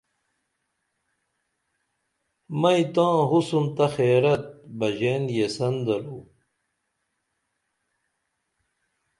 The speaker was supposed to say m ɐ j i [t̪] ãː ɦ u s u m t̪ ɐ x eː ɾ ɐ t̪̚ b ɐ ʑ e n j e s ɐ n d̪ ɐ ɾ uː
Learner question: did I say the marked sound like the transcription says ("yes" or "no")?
yes